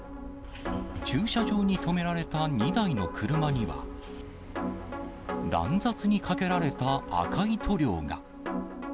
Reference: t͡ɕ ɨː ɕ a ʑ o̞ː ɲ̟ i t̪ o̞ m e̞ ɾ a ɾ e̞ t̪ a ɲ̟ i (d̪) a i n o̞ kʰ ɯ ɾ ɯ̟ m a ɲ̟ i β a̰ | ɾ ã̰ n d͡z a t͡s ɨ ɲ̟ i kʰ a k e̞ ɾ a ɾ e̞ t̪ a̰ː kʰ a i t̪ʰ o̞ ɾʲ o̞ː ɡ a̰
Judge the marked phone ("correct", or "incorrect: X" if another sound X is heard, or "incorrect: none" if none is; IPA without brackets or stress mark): correct